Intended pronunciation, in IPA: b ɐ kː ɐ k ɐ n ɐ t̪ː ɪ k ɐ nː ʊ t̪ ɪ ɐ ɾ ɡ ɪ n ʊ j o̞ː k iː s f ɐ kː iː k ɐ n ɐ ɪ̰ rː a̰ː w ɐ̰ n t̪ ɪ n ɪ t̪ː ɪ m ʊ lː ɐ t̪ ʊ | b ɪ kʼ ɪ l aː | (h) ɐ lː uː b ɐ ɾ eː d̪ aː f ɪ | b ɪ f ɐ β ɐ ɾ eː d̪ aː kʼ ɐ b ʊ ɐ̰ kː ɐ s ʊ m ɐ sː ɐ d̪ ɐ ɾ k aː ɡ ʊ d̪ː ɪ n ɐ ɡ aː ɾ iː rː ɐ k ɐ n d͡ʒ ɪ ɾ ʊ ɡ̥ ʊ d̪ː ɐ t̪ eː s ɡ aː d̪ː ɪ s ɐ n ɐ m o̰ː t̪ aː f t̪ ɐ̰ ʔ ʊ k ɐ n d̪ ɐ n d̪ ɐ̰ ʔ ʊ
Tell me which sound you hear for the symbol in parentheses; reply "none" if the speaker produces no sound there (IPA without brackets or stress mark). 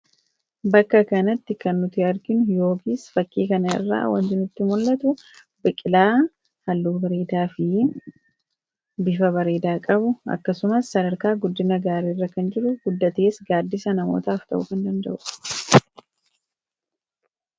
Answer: h